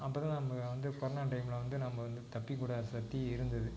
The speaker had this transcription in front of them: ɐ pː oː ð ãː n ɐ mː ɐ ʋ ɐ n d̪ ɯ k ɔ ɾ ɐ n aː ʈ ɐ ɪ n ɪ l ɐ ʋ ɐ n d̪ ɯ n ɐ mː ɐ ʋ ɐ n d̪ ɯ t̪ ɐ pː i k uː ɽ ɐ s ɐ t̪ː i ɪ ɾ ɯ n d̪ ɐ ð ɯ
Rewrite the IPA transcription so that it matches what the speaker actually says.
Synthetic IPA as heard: ɐ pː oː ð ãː n ɐ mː ɐ ʋ ɐ n d̪ ɯ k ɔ ɾ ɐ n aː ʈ ɐ ɪ m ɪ l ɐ ʋ ɐ n d̪ ɯ n ɐ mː ɐ ʋ ɐ n d̪ ɯ t̪ ɐ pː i k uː ɽ ɐ s ɐ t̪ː i ɪ ɾ ɯ n d̪ ɐ ð ɯ